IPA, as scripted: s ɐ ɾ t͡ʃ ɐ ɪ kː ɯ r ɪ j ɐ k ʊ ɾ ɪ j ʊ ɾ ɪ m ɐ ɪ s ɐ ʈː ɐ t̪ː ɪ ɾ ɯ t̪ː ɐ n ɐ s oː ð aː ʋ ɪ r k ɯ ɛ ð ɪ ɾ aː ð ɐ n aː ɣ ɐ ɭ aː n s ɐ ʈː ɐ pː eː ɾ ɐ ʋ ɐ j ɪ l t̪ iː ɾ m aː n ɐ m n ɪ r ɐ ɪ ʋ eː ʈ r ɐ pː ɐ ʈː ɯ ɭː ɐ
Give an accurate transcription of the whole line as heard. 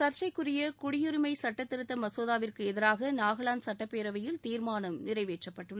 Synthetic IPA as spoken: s ɐ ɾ t͡ʃ ɐ ɪ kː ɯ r ɪ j ɐ k ʊ ɽ ɪ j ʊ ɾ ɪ m ɐ ɪ s ɐ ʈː ɐ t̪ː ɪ ɾ ɯ t̪ː ɐ m ɐ s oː ð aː ʋ ɪ r k ɯ ɛ ð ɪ ɾ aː ɣ ɐ n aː ɣ ɐ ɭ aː n s ɐ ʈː ɐ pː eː ɾ ɐ ʋ ɐ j ɪ l t̪ iː ɾ m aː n ɐ m n ɪ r ɐ ɪ ʋ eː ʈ r ɐ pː ɐ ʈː ɯ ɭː ɐ